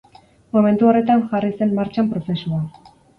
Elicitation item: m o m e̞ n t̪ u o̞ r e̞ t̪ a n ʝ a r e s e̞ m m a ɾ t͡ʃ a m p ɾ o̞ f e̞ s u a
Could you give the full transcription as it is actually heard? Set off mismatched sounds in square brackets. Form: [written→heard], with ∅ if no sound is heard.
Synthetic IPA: m o m e̞ n t̪ u o̞ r e̞ t̪ a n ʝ a r [e→i] s e̞ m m a ɾ t͡ʃ a m p ɾ o̞ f e̞ s u a